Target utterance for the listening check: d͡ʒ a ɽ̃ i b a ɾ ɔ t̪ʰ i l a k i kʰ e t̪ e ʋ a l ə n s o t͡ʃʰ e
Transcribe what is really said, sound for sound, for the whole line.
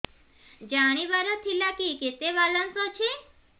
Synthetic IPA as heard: d͡ʒ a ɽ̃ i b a ɾ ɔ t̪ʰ i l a k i k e t̪ e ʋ a l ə n s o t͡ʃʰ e